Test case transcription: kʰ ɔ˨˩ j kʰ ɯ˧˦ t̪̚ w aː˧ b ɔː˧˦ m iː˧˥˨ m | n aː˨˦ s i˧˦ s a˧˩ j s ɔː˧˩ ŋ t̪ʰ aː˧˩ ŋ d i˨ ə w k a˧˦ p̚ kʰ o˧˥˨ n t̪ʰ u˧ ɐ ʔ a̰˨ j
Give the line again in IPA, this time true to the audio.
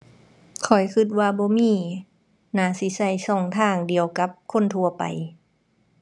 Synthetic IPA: kʰ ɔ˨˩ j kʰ ɯ˧˦ t̪̚ w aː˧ b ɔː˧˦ m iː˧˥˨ | n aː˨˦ s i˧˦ s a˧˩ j s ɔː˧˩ ŋ t̪ʰ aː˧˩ ŋ d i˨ ə w k a˧˦ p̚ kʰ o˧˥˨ n t̪ʰ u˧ ɐ p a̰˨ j